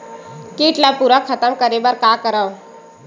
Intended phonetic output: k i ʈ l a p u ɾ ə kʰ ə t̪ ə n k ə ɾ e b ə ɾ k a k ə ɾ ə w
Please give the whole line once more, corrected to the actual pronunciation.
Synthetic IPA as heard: k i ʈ l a p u ɾ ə kʰ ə t̪ ə m k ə ɾ e b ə ɾ k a k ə ɾ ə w